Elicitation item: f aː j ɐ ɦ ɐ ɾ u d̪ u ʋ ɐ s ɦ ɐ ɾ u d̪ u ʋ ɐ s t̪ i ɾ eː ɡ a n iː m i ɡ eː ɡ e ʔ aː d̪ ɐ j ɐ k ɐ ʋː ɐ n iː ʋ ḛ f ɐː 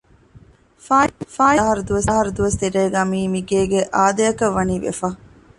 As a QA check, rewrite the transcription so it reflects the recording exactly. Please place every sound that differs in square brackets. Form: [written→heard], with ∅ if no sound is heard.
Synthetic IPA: f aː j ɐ ɦ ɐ ɾ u d̪ u ʋ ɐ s ɦ ɐ ɾ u d̪ u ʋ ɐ s t̪ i ɾ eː ɡ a [n→m] iː m i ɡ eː ɡ e ʔ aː d̪ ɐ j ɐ k ɐ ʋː ɐ n iː ʋ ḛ f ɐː

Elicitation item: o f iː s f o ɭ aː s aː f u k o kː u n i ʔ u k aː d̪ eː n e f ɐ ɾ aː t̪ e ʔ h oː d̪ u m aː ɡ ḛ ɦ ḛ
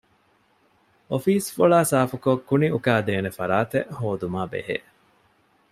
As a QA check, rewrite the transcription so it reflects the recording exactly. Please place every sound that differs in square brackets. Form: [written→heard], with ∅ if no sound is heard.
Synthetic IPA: o f iː s f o ɭ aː s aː f u k o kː u n i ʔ u k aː d̪ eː n e f ɐ ɾ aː t̪ e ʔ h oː d̪ u m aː [ɡ→b] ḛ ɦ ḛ

